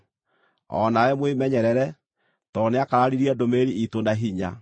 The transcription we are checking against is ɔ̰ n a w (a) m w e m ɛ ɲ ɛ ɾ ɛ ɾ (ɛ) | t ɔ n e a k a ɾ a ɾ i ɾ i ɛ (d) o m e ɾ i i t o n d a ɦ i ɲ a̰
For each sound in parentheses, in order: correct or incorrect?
incorrect, correct, correct

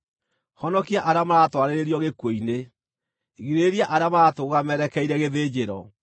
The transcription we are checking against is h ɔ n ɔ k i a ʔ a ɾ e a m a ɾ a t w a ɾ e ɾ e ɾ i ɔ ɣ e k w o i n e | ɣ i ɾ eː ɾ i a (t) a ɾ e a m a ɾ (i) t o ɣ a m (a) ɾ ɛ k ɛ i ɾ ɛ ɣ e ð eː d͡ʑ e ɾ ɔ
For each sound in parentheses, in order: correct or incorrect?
incorrect, incorrect, incorrect

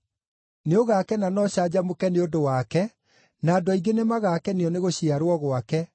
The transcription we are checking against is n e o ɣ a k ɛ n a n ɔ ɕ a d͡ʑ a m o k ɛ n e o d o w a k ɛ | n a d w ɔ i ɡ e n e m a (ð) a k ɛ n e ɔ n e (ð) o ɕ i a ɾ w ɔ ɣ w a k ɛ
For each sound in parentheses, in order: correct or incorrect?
incorrect, incorrect

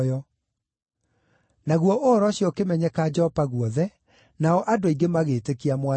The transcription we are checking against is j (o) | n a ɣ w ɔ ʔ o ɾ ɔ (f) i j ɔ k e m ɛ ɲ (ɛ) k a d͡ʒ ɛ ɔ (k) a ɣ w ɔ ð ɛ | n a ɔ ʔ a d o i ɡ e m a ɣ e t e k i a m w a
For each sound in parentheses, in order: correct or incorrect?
incorrect, incorrect, correct, incorrect

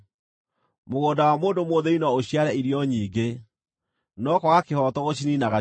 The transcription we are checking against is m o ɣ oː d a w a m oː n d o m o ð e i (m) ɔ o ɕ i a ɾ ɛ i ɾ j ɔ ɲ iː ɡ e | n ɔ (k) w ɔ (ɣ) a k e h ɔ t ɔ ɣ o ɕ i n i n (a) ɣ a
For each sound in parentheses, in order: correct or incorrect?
incorrect, correct, correct, correct

